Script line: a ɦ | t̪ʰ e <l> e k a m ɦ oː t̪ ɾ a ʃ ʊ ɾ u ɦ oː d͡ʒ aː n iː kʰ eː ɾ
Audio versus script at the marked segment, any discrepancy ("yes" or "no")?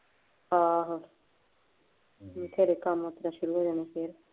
yes